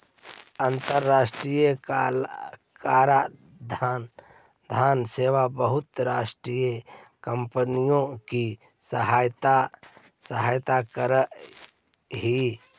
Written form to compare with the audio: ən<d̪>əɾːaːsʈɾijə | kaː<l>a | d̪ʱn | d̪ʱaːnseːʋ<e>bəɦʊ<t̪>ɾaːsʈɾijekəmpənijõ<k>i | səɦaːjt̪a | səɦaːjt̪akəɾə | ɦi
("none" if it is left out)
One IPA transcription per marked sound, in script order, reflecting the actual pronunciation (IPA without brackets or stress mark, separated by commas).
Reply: t̪, ɾ, a, t̪, k